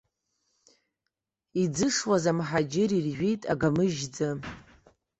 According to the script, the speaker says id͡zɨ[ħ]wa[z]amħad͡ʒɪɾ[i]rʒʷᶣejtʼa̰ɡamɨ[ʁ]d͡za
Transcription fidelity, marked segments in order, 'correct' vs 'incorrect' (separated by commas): incorrect, correct, correct, incorrect